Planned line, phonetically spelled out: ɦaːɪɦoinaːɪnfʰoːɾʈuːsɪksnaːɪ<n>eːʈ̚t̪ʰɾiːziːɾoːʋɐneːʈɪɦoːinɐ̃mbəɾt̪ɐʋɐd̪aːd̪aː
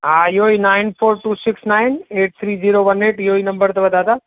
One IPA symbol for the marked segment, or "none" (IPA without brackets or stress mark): n